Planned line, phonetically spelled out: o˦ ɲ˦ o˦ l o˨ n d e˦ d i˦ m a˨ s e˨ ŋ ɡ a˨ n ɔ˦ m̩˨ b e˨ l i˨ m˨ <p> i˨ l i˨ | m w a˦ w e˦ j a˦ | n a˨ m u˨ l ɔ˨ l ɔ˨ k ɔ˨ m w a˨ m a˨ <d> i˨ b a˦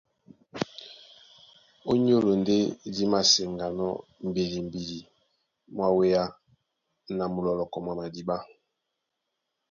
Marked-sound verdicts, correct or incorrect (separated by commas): incorrect, correct